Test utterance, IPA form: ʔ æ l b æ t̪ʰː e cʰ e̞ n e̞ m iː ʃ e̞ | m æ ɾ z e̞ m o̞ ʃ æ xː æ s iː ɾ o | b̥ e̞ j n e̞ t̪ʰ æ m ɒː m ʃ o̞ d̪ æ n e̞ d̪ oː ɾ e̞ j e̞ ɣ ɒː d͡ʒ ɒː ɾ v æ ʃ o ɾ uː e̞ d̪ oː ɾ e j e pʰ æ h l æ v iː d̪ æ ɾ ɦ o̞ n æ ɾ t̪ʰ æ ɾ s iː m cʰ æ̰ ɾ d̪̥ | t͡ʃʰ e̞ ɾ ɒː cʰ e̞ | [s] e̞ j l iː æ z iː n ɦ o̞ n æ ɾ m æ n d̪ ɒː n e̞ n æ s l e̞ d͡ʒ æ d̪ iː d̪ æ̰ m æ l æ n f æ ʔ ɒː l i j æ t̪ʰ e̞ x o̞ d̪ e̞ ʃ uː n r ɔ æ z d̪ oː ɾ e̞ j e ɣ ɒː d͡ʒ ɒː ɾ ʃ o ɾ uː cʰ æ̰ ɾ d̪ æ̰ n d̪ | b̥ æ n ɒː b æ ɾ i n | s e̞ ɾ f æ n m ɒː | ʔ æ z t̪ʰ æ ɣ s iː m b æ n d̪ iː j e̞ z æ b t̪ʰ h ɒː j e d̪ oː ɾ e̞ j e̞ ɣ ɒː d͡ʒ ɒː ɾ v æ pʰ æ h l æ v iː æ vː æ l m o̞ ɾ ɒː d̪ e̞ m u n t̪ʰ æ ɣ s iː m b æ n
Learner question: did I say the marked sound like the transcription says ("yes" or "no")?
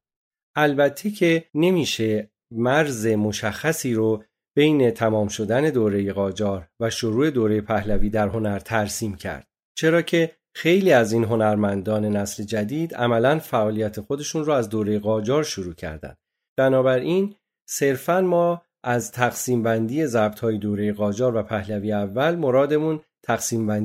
no